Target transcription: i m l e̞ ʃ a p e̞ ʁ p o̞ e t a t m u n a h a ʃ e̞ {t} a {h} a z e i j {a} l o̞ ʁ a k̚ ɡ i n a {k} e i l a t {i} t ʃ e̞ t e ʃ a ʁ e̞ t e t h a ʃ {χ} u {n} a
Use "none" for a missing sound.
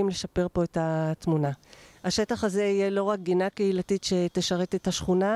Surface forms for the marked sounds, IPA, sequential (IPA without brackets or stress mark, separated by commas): t, χ, e, k, i, χ, n